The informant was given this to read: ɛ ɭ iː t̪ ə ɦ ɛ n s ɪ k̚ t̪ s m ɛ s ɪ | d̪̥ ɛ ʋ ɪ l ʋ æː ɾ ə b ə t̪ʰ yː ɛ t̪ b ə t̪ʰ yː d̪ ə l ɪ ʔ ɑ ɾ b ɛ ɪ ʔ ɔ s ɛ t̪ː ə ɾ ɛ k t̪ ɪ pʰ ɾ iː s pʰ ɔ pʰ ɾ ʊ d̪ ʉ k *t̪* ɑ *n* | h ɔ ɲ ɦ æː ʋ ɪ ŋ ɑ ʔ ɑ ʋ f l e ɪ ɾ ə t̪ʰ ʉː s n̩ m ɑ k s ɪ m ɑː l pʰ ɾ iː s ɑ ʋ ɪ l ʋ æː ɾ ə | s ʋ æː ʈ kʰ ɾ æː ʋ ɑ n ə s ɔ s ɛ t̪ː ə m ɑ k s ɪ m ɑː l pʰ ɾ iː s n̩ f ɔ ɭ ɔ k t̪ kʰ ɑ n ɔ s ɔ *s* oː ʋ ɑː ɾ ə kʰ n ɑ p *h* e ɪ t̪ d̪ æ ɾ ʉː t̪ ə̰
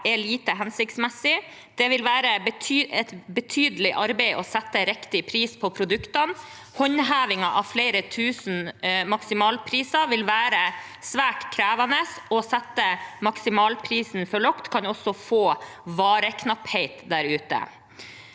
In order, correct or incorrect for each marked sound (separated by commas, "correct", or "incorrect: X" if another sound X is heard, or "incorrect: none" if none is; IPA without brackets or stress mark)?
correct, correct, incorrect: f, correct